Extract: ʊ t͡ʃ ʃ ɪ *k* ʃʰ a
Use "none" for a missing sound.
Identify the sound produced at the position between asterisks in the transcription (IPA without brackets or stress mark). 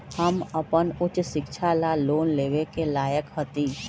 k